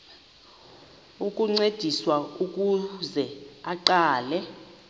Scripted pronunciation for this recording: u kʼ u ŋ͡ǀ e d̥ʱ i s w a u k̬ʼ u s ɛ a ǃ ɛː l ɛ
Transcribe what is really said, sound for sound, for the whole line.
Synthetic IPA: u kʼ u ŋ͡ǀ e d̥ʱ i s w a u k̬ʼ u z ɛ a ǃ aː l ɛ